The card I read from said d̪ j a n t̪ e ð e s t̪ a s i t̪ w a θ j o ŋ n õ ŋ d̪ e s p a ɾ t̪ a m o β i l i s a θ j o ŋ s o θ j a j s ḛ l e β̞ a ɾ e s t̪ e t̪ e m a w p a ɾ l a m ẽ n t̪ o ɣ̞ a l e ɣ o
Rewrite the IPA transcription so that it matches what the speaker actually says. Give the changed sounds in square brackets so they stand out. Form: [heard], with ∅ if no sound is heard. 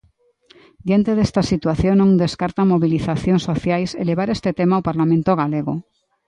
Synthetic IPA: d̪ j a n t̪ e ð e s t̪ a s i t̪ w a θ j o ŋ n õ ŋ d̪ e s [k] a ɾ t̪ a m o β i l i [θ] a θ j o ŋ s o θ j a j s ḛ l e β̞ a ɾ e s t̪ e t̪ e m a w p a ɾ l a m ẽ n t̪ o ɣ̞ a l e ɣ o